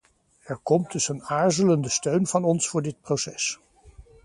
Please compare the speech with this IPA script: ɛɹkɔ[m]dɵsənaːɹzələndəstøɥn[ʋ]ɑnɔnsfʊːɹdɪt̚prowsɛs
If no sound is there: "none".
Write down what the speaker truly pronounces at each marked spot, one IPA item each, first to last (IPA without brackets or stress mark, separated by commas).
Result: m, v